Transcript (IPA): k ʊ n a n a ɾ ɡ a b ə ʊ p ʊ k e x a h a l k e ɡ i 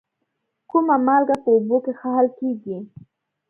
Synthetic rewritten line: k ʊ m a m a l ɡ a p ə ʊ b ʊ k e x a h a l k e ɡ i